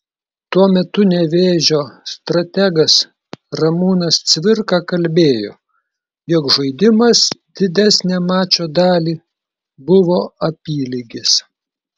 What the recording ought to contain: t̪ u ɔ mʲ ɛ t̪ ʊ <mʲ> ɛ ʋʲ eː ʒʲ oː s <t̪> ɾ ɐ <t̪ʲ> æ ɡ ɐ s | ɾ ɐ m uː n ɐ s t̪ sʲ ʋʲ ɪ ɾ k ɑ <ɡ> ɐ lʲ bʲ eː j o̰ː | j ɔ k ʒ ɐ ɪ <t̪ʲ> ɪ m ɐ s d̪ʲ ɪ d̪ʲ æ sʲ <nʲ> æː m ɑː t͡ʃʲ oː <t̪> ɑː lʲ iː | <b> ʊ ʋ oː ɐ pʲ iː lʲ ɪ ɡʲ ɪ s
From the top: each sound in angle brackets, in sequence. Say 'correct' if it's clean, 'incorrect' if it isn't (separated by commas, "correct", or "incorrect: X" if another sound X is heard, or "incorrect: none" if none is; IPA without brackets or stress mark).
incorrect: nʲ, correct, correct, incorrect: k, incorrect: d̪ʲ, correct, incorrect: d̪, correct